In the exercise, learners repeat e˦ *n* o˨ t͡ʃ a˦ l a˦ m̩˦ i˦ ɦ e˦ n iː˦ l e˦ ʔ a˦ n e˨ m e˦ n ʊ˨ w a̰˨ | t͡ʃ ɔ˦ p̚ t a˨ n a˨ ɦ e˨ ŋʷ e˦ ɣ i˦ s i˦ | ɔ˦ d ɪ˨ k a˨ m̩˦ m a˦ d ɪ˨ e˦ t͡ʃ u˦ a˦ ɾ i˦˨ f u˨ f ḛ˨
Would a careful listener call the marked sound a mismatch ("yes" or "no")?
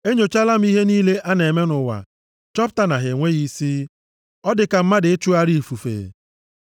yes